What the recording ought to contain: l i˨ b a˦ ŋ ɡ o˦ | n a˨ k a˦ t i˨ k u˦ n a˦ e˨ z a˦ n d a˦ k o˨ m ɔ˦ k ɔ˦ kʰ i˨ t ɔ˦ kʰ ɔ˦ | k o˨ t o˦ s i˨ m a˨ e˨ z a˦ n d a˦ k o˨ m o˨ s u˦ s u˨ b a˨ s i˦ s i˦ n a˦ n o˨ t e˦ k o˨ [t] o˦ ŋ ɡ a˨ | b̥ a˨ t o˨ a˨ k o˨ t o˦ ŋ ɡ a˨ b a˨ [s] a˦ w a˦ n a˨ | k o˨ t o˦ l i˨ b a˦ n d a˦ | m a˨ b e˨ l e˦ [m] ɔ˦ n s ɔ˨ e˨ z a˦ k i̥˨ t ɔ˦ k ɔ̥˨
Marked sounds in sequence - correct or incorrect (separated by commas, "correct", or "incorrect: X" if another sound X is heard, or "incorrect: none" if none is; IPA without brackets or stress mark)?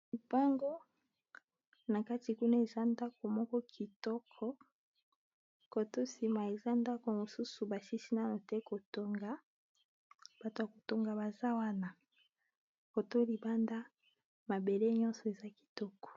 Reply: correct, incorrect: z, incorrect: ɲ